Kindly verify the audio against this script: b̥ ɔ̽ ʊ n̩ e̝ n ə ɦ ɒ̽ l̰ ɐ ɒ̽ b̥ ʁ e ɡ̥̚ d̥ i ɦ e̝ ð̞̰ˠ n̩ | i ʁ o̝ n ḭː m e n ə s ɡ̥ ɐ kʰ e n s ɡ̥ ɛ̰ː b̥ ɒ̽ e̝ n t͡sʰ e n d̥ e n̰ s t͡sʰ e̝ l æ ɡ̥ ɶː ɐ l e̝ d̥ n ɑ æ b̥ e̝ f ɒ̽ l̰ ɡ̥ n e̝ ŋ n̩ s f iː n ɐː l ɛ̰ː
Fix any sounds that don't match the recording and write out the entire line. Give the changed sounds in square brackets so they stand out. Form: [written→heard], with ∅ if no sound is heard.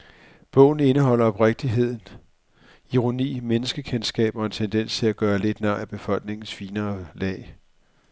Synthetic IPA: b̥ ɔ̽ ʊ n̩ e̝ n ə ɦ ɒ̽ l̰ ɐ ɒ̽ b̥ ʁ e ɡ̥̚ d̥ i ɦ e̝ ð̞̰ˠ n̩ | i ʁ o̝ n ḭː m e n ə s ɡ̥ [ɐ→ə] kʰ e n s ɡ̥ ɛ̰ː b̥ ɒ̽ e̝ n t͡sʰ e n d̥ e n̰ s t͡sʰ e̝ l æ ɡ̥ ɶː ɐ l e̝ d̥ n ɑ æ b̥ e̝ f ɒ̽ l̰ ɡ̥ n e̝ ŋ n̩ s f iː n ɐː l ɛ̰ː